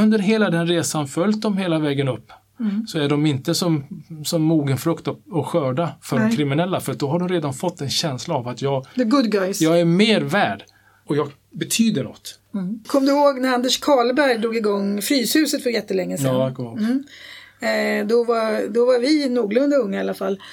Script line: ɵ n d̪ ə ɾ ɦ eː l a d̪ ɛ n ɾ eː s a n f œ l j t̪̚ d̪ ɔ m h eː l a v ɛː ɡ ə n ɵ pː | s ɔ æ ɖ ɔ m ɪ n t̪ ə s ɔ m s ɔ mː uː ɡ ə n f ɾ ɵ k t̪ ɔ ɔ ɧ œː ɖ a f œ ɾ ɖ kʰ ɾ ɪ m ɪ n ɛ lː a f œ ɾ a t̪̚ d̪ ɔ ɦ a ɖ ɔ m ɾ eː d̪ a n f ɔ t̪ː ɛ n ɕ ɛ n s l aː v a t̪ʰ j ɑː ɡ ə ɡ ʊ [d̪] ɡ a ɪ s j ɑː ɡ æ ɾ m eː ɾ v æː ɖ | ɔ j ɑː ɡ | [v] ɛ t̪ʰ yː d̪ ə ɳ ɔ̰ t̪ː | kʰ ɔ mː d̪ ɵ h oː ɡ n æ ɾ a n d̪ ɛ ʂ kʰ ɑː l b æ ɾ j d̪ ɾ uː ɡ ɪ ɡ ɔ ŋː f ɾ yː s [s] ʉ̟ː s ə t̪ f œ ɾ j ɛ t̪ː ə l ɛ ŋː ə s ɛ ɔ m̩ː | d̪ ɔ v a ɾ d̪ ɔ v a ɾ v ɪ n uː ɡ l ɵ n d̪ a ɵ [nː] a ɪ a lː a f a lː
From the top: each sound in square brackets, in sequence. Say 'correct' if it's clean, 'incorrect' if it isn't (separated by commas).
correct, incorrect, incorrect, incorrect